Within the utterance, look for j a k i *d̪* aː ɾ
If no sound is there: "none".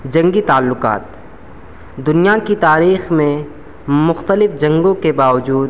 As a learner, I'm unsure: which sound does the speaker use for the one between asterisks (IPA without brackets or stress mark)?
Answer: t̪